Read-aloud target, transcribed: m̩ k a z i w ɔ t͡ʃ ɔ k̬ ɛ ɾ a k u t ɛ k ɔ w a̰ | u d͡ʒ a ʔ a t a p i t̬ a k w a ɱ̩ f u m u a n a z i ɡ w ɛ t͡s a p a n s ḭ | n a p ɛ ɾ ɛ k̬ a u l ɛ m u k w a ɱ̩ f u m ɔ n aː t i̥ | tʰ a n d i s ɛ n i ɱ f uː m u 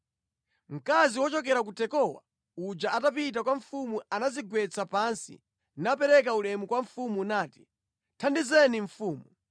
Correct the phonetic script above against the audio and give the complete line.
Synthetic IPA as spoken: m̩ k a z i w ɔ t͡ʃ ɔ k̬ ɛ ɾ a k u t ɛ k ɔ w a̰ | u d͡ʒ a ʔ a t a p i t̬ a k w a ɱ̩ f u m u a n a z i ɡ w ɛ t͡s a p a n s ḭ | n a p ɛ ɾ ɛ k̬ a u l ɛ m u k w a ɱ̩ f u m u n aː t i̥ | tʰ a n d i z ɛ n i ɱ f uː m u